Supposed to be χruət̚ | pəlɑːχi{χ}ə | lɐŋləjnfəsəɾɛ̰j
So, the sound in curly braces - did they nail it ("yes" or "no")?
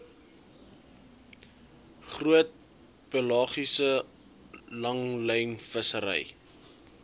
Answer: no